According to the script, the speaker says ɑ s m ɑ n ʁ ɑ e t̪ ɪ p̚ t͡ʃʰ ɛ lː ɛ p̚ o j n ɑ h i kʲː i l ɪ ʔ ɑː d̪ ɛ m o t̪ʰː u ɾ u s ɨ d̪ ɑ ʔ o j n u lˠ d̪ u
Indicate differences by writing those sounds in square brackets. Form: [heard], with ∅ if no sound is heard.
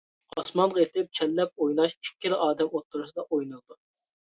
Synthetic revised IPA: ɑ s m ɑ n ʁ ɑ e t̪ ɪ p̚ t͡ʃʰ ɛ lː ɛ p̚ o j n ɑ [ʃ] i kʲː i l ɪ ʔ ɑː d̪ ɛ m o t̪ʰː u ɾ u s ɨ d̪ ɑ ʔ o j n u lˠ d̪ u